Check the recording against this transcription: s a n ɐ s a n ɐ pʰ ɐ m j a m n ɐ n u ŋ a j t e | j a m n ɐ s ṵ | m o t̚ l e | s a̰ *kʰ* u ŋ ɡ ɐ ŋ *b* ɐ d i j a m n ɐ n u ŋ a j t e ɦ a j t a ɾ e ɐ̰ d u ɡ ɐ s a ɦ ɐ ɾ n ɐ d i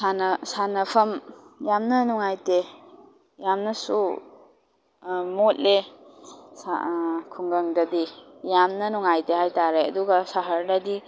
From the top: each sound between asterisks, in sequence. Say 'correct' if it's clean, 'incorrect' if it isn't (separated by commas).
correct, incorrect